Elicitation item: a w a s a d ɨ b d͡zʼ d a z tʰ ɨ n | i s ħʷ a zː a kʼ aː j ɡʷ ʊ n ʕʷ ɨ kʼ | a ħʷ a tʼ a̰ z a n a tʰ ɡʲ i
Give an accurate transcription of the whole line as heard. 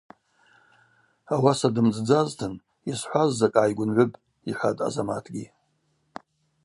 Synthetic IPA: a w a s a d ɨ m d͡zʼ d͡z a z tʰ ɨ n | i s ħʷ a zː a kʼ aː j ɡʷ ʊ n ʕʷ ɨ pʼ | i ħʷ a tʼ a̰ z a m a tʰ ɡʲ i